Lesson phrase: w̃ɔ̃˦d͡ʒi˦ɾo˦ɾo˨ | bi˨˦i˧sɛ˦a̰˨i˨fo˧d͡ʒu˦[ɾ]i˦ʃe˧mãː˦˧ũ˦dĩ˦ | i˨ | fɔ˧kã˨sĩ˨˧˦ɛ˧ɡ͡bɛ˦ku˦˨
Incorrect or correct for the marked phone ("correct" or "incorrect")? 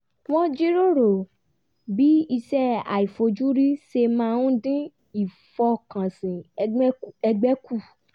correct